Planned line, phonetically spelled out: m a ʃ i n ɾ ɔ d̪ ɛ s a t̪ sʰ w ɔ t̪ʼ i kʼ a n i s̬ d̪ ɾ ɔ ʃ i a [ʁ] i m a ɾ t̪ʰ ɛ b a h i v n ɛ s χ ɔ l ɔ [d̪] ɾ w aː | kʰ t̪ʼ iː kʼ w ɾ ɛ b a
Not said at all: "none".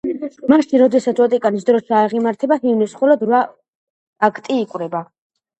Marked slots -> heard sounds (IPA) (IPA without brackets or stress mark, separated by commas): ʁ, d̪